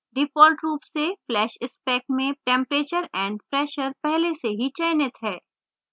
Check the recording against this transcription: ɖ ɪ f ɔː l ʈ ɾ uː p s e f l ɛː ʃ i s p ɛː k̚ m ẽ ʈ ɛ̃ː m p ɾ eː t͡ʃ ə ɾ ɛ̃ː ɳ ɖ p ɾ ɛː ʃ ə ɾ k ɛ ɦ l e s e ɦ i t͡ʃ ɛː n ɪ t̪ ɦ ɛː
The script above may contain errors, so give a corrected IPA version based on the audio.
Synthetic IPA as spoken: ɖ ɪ f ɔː l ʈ ɾ uː p s e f l ɛː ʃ ɪ s p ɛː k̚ m ẽ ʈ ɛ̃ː m p ɾ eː t͡ʃ ə ɾ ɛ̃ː ɳ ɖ p ɾ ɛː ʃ ə ɾ p ɛ ɦ l e s e ɦ i t͡ʃ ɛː n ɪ t̪ ɦ ɛː

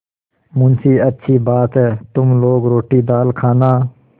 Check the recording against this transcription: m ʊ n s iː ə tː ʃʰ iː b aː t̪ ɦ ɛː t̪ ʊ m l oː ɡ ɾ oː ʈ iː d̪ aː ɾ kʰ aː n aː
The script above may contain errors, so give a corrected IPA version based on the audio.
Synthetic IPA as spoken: m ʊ n s iː ə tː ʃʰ iː b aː t̪ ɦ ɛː t̪ ʊ m l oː ɡ ɾ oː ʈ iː d̪ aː l kʰ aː n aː

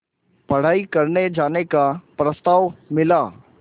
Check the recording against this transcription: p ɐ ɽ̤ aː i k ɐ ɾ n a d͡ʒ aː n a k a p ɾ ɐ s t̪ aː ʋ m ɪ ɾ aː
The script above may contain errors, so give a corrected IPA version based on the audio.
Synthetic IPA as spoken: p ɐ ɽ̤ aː i k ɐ ɾ n e d͡ʒ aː n e k a p ɾ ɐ s t̪ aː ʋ m ɪ l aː

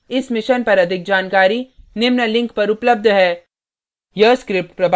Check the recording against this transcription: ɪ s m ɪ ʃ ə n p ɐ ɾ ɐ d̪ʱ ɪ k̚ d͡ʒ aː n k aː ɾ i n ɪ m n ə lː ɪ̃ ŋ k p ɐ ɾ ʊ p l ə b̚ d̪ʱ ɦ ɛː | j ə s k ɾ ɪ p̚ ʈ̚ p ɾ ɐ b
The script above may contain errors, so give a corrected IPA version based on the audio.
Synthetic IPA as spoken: ɪ s m ɪ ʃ ə n p ɐ ɾ ɐ d̪ʱ ɪ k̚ d͡ʒ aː n k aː ɾ i n ɪ m n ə l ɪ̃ ŋ k p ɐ ɾ ʊ p l ə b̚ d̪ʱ ɦ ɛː | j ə s k ɾ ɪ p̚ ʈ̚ p ɾ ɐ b

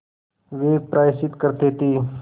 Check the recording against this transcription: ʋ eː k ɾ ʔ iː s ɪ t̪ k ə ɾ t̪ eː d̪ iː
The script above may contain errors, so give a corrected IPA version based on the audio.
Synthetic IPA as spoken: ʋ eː p ɾ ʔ aː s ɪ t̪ k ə ɾ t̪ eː t̪ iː

